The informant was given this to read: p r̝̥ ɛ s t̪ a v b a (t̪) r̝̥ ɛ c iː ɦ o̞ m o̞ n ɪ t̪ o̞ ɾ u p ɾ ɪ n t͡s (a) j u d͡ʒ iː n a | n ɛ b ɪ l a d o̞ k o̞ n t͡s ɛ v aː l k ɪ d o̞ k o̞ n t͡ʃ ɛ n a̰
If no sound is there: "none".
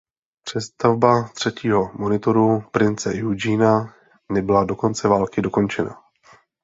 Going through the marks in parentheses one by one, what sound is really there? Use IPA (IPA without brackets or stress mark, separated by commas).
t̪, ɛ